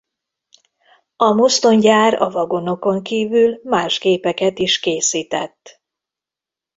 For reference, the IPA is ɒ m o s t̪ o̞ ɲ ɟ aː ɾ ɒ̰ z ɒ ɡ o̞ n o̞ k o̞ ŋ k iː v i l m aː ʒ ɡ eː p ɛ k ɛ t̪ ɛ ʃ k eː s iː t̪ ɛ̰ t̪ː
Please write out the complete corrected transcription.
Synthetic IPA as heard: ɒ m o s t̪ o̞ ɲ ɟ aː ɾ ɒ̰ v ɒ ɡ o̞ n o̞ k o̞ ŋ k iː v y l m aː ʒ ɡ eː p ɛ k ɛ t̪ i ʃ k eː s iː t̪ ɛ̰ t̪ː